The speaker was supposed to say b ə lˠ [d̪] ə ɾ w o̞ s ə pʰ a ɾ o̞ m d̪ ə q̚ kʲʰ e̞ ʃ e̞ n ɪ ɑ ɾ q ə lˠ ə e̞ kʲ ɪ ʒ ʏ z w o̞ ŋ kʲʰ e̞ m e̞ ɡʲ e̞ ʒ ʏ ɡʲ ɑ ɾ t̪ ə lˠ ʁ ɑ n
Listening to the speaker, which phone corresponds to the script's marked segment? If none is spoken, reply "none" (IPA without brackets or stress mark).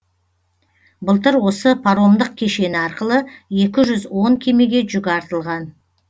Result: t̪